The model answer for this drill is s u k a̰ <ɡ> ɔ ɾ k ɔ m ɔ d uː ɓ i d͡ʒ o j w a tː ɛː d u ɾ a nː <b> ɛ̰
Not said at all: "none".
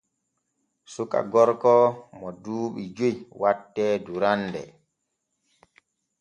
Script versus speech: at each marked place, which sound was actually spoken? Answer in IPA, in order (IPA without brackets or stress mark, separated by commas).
ɡ, d